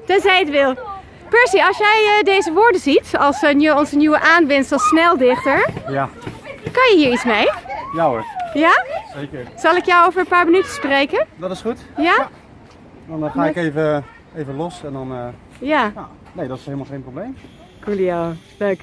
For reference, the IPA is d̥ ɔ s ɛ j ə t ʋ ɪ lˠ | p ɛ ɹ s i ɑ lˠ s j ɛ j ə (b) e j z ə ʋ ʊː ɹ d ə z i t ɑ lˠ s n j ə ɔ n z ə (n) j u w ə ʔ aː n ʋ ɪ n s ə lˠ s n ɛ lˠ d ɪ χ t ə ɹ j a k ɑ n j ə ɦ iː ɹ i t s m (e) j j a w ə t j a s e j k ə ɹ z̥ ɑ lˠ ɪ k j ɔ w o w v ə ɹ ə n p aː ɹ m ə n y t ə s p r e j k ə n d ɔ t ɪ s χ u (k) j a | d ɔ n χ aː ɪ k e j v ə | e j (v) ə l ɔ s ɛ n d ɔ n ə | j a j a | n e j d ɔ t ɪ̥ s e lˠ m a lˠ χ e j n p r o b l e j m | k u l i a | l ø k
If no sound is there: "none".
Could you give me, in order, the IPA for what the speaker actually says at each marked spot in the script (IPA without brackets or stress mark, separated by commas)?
d, n, e, t, v